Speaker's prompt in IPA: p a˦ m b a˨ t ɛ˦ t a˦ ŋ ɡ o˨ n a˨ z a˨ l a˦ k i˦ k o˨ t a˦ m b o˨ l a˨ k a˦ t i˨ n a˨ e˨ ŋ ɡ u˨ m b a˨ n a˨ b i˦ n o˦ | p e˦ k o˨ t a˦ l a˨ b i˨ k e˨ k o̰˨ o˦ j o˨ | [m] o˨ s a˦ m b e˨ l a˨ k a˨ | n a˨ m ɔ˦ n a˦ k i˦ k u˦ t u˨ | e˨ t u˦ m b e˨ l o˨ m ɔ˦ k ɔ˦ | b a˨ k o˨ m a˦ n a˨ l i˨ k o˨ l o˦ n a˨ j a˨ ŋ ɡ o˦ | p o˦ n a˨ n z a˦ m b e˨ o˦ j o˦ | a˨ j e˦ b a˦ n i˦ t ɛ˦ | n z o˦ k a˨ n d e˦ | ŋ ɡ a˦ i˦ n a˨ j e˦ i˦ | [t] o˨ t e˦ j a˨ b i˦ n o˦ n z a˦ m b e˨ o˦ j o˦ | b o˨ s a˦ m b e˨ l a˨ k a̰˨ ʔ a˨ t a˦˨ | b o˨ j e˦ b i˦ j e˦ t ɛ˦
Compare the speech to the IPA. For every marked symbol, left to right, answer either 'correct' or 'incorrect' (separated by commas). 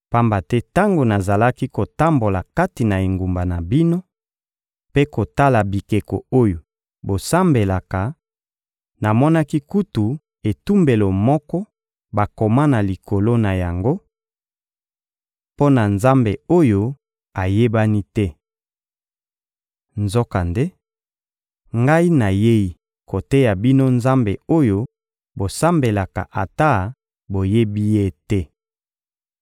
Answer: incorrect, incorrect